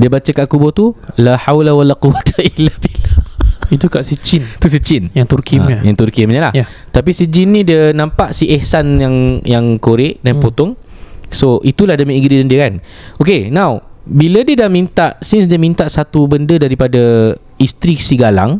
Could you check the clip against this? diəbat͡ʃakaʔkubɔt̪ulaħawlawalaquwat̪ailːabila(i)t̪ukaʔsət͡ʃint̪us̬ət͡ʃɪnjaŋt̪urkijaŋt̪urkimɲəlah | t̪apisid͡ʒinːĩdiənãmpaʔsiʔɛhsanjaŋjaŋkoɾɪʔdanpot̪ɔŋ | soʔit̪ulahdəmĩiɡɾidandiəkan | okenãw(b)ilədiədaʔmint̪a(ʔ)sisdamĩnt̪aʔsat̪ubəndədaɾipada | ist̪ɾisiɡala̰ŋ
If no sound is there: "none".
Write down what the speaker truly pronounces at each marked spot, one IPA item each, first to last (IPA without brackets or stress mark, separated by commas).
i, b, ʔ